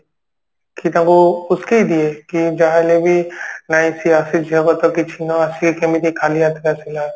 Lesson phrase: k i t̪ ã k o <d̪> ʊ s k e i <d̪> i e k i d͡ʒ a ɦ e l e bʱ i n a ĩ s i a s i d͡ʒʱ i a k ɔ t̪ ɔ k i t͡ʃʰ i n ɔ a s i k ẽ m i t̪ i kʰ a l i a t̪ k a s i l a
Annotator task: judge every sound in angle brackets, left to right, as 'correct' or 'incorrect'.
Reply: incorrect: none, correct

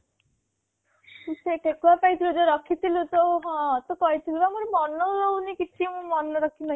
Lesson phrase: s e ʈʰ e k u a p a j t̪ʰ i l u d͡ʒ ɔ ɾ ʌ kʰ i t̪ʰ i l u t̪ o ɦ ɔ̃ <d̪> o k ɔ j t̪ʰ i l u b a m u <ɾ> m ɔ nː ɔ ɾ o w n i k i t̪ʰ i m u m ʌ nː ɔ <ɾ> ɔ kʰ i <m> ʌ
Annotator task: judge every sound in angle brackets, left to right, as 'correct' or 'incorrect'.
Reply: incorrect: t̪, correct, correct, incorrect: n

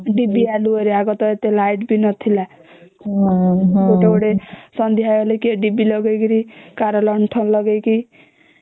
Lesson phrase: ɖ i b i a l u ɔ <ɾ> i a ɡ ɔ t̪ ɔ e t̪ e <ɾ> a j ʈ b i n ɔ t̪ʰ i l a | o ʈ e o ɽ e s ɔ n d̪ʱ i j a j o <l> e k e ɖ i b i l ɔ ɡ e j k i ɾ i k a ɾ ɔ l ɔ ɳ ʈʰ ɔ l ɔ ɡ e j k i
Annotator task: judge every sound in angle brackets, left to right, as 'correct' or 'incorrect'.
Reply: correct, incorrect: l, correct

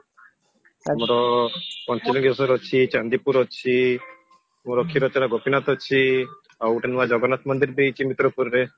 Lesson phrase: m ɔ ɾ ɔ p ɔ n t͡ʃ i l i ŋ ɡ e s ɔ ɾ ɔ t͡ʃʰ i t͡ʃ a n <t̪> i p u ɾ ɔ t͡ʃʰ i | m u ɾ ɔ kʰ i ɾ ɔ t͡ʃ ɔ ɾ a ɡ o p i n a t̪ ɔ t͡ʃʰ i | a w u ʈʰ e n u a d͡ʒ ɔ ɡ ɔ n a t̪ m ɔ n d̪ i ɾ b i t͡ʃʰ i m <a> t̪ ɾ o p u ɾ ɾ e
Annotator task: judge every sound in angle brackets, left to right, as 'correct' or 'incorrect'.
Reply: incorrect: d̪, incorrect: i

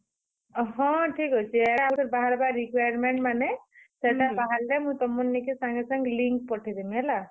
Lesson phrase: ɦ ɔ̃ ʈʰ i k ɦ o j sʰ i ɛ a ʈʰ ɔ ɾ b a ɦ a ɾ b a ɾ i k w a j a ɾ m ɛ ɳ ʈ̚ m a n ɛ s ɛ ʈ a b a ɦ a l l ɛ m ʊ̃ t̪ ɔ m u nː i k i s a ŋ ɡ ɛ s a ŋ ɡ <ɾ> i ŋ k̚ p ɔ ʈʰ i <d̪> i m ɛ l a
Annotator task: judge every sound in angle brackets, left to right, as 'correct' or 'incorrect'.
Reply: incorrect: l, correct

